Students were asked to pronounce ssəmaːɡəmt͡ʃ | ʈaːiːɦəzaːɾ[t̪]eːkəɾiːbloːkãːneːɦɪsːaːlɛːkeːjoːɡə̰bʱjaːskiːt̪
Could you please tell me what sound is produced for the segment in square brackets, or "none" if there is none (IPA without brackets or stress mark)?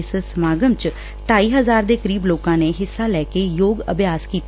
d̪